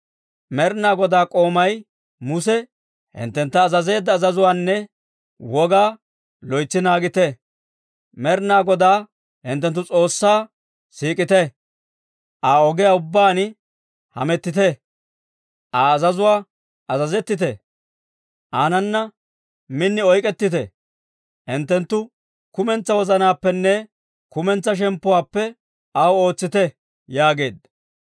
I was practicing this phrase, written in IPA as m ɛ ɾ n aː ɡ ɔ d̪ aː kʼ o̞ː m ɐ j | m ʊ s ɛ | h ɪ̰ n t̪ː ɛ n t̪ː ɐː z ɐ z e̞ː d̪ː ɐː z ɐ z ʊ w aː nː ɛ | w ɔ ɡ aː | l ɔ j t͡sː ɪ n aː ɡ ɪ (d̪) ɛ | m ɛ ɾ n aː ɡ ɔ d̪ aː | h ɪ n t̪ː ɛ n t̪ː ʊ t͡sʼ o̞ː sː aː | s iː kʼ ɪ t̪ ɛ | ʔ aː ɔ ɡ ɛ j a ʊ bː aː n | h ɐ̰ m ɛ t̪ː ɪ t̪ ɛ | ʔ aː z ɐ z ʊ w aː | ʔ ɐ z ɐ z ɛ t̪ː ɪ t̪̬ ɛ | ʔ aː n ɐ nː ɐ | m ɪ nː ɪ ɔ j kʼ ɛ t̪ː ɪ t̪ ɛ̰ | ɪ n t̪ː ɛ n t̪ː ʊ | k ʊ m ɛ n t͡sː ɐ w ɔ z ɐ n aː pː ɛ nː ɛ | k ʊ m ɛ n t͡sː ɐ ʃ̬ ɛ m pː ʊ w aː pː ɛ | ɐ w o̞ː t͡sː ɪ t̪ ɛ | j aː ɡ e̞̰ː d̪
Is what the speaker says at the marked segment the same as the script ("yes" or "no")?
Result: no